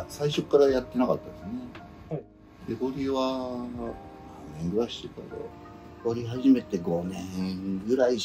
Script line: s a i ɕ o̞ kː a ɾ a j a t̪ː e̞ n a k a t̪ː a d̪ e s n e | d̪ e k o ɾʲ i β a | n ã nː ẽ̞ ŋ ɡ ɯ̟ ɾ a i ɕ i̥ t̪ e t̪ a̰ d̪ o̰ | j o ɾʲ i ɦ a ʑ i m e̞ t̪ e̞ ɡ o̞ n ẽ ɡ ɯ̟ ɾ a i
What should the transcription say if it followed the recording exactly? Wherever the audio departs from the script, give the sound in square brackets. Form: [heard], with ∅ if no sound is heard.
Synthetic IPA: s a i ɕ o̞ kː a ɾ a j a t̪ː e̞ n a k a t̪ː a d̪ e s n e | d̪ e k o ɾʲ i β a | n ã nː ẽ̞ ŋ ɡ ɯ̟ ɾ a i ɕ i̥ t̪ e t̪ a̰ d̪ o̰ | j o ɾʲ i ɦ a ʑ i m e̞ t̪ e̞ ɡ o̞ n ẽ ɡ ɯ̟ ɾ a i